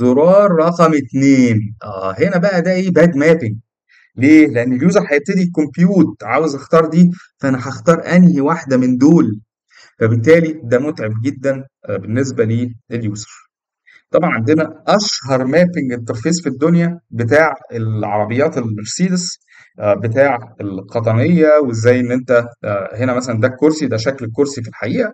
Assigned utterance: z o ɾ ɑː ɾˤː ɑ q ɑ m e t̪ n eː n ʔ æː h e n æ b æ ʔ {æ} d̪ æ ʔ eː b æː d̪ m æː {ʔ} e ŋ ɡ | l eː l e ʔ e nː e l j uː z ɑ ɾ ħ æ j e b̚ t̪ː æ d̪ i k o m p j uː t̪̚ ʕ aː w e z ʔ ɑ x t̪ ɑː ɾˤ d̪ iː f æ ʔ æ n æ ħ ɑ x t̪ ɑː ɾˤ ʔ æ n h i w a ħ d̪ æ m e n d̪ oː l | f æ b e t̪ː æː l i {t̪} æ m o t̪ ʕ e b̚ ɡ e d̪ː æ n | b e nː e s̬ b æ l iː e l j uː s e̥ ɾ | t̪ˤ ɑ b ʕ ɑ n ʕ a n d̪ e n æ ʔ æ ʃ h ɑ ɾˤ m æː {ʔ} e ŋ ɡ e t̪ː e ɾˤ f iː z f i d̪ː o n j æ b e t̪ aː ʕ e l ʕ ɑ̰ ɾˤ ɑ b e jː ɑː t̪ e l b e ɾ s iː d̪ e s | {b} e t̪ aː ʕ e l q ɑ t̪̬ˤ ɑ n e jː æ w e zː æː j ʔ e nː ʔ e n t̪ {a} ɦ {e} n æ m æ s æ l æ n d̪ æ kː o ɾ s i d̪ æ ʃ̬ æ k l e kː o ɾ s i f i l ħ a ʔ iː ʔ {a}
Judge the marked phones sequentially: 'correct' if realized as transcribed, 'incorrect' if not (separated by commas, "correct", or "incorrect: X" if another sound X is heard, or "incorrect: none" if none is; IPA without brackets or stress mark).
correct, incorrect: p, incorrect: d̪, incorrect: p, correct, incorrect: æ, correct, incorrect: æ